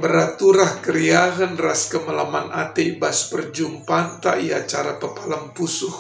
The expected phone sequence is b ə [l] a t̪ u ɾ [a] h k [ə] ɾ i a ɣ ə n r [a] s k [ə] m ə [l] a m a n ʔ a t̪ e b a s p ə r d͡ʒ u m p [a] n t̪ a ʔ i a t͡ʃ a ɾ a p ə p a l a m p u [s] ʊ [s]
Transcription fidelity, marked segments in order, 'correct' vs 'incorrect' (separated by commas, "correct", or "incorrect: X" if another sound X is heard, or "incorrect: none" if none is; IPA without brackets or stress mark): incorrect: ɾ, correct, correct, correct, correct, correct, correct, correct, incorrect: h